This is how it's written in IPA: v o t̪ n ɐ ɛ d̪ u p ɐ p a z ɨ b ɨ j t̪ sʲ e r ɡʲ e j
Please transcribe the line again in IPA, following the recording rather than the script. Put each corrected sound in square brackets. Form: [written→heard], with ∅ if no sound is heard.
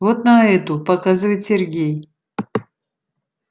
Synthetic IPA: v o t̪ n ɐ ɛ [d̪→t̪] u p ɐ [p→k] a z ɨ [b→v] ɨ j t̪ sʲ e r ɡʲ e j

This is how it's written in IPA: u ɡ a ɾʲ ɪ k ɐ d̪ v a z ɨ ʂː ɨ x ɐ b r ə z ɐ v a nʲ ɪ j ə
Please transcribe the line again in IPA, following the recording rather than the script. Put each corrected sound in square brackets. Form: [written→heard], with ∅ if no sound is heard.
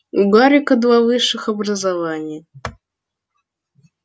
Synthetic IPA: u ɡ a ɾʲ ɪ k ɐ d̪ v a [z→v] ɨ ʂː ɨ x ɐ b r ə z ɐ v a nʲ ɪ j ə

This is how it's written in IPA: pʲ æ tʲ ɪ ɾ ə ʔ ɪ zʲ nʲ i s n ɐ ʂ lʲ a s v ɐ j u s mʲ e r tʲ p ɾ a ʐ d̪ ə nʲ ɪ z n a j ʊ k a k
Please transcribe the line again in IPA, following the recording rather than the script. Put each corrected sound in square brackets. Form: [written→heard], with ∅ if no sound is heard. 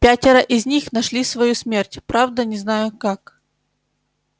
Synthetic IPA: pʲ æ tʲ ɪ ɾ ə ʔ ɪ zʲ nʲ i [s→x] n ɐ ʂ lʲ [a→i] s v ɐ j u s mʲ e r tʲ p ɾ a [ʐ→v] d̪ ə nʲ ɪ z n a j ʊ k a k

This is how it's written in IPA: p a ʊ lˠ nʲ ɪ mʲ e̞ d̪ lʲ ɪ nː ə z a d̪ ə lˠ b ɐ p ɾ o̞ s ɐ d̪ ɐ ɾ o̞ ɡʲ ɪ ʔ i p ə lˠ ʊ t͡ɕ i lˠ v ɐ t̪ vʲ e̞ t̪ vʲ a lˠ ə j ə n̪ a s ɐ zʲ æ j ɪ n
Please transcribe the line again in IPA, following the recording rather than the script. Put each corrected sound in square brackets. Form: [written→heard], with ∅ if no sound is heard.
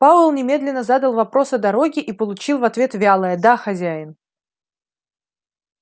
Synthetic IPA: p a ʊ lˠ nʲ ɪ mʲ e̞ d̪ lʲ ɪ nː ə z a d̪ ə lˠ [b→v] ɐ p ɾ o̞ s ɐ d̪ ɐ ɾ o̞ ɡʲ ɪ ʔ i p ə lˠ ʊ t͡ɕ i lˠ v ɐ t̪ vʲ e̞ t̪ vʲ a lˠ ə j ə [n̪→d̪] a [s→x] ɐ zʲ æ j ɪ n

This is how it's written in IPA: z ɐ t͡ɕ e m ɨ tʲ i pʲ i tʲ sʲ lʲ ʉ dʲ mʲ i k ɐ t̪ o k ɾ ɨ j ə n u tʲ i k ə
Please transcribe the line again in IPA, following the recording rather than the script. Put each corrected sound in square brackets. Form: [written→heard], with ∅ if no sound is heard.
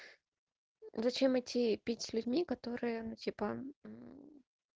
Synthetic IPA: z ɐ t͡ɕ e m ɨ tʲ i pʲ i tʲ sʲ lʲ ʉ dʲ mʲ i k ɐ t̪ o [k→∅] ɾ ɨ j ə n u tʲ i [k→p] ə

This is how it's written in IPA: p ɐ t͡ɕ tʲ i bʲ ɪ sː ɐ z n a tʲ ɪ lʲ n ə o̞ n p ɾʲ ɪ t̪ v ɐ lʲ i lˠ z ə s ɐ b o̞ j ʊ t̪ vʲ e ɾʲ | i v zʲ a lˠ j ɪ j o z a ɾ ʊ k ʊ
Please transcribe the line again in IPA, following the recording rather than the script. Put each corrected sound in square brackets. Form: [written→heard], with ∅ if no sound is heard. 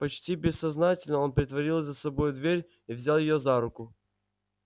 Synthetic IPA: p ɐ t͡ɕ tʲ i bʲ ɪ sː ɐ z n a tʲ ɪ lʲ n ə o̞ n p ɾʲ ɪ t̪ v ɐ [lʲ→ɾʲ] i lˠ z ə s ɐ b o̞ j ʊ [t̪→d̪] vʲ e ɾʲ | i v zʲ a lˠ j ɪ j o z a ɾ ʊ k ʊ

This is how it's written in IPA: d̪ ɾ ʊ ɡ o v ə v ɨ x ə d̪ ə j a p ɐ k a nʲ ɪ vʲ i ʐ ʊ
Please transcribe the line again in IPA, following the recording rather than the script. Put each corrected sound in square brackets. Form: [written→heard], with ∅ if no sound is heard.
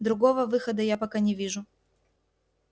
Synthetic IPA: d̪ ɾ ʊ ɡ o v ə v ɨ x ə d̪ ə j a p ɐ k a nʲ ɪ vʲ i ʐ ʊ

